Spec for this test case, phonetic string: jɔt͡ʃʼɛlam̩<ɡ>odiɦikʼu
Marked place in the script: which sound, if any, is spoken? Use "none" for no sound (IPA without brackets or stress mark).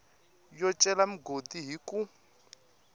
ɡ